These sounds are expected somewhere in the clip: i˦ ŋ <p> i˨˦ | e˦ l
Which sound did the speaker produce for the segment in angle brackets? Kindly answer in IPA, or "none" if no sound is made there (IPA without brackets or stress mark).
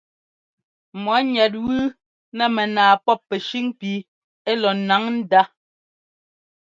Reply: p